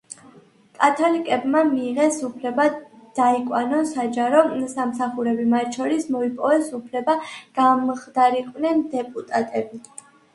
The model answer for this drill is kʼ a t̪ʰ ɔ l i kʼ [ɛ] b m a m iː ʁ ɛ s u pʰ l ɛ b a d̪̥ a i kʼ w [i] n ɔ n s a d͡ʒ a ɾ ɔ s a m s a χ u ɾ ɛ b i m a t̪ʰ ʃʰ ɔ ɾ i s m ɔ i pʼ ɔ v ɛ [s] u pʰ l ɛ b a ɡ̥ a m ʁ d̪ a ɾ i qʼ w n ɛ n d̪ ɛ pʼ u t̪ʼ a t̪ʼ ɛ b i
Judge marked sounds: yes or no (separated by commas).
yes, no, yes